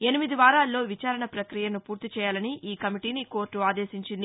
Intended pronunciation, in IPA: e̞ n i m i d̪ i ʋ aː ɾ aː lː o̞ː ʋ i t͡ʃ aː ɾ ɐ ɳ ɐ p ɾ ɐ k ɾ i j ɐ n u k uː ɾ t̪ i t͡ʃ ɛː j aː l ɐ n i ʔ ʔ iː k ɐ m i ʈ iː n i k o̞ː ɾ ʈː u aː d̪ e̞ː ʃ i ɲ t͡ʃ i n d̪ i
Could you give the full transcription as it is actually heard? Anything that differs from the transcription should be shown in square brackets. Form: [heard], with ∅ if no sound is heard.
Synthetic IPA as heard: e̞ n i m i d̪ i ʋ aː ɾ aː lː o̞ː ʋ i t͡ʃ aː ɾ ɐ ɳ ɐ p ɾ ɐ k ɾ i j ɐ n u [p] uː ɾ t̪ i t͡ʃ ɛː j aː l ɐ n i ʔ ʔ iː k ɐ m i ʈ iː n i k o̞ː ɾ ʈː u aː d̪ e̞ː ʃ i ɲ t͡ʃ i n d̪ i